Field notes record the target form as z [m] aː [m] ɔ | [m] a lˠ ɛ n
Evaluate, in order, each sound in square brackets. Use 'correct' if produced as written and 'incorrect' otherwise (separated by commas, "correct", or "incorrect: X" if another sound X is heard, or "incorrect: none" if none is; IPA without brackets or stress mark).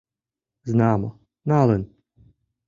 incorrect: n, correct, incorrect: n